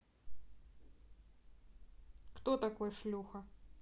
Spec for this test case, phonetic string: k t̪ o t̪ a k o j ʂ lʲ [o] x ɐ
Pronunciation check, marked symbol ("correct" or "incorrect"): incorrect